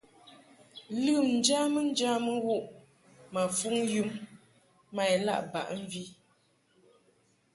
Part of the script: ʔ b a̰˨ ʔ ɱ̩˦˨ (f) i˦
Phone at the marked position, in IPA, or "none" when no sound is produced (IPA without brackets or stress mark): v